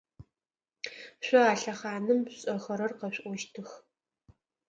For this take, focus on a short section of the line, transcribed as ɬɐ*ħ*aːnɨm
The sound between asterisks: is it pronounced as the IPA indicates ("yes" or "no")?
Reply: no